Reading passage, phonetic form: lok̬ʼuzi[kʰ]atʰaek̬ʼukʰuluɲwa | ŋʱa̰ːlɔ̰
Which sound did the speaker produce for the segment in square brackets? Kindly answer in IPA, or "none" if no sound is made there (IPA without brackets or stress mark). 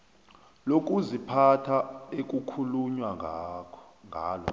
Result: pʰ